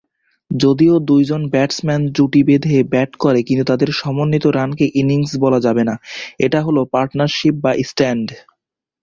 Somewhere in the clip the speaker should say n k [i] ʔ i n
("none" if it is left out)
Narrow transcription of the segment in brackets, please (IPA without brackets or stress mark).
e